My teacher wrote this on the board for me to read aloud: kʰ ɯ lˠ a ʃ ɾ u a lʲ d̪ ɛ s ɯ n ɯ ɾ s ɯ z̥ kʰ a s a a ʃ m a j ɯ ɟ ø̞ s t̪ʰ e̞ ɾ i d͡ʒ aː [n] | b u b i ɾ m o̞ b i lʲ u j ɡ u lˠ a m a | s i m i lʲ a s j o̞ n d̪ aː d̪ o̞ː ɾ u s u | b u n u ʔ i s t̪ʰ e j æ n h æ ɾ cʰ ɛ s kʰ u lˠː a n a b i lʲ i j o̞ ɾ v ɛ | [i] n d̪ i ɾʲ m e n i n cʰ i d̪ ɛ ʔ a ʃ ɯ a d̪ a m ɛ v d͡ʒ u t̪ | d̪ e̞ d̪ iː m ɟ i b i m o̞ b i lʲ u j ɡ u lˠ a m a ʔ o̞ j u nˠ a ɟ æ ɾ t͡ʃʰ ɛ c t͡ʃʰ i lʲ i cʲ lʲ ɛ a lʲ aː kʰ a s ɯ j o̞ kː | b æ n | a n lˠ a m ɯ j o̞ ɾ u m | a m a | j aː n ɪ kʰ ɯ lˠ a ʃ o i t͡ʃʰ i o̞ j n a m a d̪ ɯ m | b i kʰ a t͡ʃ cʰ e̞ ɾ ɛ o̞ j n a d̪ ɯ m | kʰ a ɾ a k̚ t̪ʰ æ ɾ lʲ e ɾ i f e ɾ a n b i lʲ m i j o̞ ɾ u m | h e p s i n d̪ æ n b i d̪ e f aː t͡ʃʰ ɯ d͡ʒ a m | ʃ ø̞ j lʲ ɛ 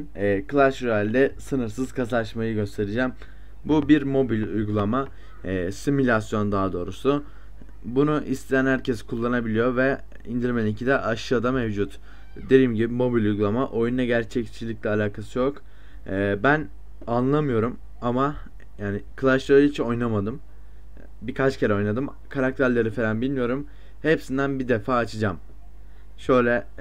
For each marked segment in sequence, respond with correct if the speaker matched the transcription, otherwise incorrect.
incorrect: m, correct

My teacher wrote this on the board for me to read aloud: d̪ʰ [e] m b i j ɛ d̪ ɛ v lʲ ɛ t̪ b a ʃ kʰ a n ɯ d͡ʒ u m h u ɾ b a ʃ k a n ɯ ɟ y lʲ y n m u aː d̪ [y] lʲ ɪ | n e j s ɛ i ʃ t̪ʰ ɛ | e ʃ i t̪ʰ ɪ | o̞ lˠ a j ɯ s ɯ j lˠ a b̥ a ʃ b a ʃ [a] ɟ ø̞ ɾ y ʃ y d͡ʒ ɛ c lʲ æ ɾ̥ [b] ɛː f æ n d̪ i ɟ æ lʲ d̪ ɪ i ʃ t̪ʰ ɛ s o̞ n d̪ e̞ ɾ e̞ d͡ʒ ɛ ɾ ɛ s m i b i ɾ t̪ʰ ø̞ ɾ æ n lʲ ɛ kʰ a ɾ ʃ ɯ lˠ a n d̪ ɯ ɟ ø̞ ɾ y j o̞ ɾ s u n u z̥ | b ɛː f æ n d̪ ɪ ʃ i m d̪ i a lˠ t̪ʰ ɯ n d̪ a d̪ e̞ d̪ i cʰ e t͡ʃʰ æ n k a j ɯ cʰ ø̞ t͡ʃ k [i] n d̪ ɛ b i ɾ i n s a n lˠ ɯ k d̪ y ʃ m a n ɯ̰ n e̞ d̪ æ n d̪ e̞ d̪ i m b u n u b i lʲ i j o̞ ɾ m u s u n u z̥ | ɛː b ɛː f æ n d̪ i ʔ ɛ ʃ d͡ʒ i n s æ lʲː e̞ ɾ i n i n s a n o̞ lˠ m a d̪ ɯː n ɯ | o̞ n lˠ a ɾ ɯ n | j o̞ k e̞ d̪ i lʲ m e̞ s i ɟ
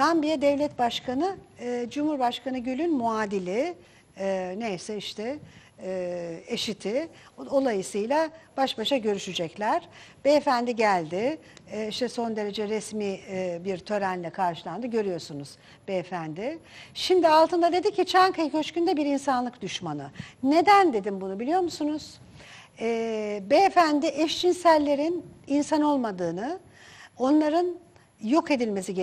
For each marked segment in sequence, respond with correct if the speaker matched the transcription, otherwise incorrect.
incorrect: a, incorrect: i, correct, correct, incorrect: y

